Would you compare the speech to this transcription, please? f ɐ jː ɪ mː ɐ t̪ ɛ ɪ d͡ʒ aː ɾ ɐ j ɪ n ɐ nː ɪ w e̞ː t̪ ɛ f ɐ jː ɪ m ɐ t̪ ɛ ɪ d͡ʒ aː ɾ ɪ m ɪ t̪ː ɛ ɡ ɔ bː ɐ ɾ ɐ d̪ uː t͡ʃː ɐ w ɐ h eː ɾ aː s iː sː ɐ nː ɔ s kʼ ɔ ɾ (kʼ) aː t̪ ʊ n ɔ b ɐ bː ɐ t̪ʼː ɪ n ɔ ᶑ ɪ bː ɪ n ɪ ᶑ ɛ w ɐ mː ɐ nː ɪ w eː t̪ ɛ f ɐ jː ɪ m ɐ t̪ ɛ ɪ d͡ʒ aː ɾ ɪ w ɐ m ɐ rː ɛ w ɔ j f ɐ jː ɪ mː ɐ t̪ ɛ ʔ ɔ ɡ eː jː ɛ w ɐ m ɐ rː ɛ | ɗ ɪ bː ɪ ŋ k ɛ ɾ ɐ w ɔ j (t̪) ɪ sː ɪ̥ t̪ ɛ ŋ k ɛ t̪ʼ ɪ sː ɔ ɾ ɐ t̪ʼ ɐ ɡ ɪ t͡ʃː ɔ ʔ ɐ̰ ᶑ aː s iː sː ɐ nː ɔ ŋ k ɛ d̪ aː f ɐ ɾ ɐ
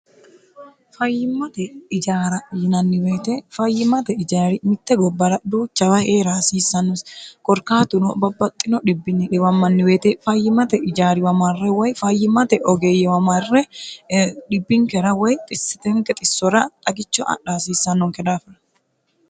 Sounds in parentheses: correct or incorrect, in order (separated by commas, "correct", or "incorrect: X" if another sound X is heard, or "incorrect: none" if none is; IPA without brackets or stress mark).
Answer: incorrect: k, incorrect: t̪ʼ